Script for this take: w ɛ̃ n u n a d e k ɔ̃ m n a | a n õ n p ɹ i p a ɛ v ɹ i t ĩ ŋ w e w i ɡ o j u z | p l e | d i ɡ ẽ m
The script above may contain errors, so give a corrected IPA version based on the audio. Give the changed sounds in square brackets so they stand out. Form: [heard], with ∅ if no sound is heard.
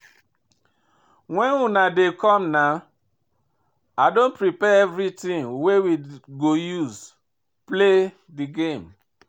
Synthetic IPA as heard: w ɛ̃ n u n a d e k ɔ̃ m n a | a [d] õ n p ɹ i p [ɛ] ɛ v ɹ i t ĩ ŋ w e w i ɡ o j u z | p l e | d i ɡ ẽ m